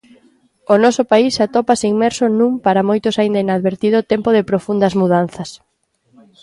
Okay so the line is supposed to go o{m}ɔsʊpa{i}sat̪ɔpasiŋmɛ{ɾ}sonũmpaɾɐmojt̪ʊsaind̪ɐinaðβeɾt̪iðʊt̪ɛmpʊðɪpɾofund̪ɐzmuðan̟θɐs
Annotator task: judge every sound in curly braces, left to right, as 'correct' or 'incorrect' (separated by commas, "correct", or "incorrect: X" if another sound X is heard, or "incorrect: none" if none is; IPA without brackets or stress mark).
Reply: incorrect: n, correct, correct